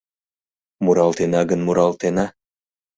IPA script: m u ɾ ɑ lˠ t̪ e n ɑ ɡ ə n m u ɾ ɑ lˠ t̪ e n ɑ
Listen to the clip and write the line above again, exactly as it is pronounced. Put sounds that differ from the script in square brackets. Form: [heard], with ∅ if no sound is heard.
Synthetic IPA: m u ɾ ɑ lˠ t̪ e n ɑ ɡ ə n m u ɾ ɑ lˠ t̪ e n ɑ

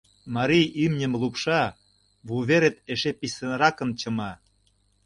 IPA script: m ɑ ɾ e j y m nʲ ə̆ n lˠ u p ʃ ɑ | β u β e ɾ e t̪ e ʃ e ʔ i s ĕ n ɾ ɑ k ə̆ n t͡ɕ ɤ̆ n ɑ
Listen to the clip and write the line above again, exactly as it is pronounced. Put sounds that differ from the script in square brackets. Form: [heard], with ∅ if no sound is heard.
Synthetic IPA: m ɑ ɾ [i] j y m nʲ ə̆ [m] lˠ u p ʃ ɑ | β u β e ɾ e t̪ e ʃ e [p] i s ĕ n ɾ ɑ k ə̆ n t͡ɕ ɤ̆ [m] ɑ

